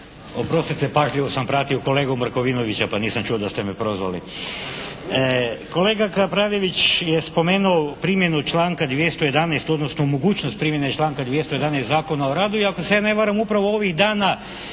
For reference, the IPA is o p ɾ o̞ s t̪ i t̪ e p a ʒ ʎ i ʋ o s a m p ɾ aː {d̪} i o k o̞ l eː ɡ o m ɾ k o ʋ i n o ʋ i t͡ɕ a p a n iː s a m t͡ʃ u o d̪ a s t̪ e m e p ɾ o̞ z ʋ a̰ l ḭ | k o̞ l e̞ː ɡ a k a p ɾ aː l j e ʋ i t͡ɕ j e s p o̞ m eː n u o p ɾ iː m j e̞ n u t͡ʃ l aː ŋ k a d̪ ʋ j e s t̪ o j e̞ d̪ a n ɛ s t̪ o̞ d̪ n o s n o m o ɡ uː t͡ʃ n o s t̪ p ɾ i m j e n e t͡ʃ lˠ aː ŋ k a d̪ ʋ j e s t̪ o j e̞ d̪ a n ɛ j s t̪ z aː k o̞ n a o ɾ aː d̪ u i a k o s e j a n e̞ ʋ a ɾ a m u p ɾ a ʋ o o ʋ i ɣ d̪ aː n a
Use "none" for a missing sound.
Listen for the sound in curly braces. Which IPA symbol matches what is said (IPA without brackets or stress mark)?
t̪